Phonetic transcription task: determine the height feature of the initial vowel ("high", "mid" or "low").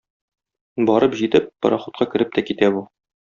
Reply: low